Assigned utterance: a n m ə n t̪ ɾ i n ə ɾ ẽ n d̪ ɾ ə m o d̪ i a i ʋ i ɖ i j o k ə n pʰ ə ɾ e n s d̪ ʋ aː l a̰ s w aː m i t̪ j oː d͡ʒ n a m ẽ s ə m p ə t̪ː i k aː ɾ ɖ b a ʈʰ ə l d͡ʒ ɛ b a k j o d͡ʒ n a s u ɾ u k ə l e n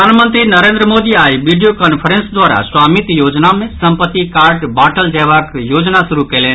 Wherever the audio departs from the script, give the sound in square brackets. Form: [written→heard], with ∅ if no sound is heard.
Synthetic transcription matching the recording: a n m ə n t̪ ɾ i n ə ɾ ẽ n d̪ ɾ ə m o d̪ i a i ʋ i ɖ i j o k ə n pʰ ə ɾ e n s d̪ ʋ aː [l→ɾ] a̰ s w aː m i t̪ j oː d͡ʒ n a m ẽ s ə m p ə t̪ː i k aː ɾ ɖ b a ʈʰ ə l d͡ʒ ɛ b a k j o d͡ʒ n a s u ɾ u k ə l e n